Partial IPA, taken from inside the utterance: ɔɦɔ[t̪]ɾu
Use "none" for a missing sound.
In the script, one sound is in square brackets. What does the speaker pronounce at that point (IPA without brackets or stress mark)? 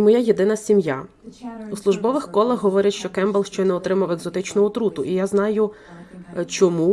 t̪